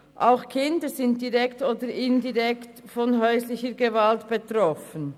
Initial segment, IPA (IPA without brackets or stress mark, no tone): ʔ